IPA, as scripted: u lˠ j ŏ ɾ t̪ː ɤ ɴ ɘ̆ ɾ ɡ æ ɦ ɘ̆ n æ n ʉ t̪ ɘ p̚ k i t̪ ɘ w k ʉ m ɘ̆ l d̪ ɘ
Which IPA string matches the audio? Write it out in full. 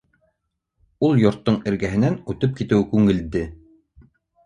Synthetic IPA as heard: u lˠ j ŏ ɾ t̪ː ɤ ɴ ɘ̆ ɾ ɡ æ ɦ ɘ̆ n æ n ʉ t̪ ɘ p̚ k i t̪ ɘ w k ʉ ŋ ɘ̆ l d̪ ɘ